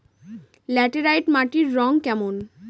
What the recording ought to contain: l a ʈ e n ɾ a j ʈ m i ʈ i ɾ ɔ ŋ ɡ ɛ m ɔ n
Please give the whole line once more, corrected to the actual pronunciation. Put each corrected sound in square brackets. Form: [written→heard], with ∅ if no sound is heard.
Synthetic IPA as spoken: l [a→ɛ] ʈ e [n→∅] ɾ a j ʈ m [i→a] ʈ i [ɾ→ɾː] ɔ ŋ [ɡ→k] ɛ m [ɔ→o] n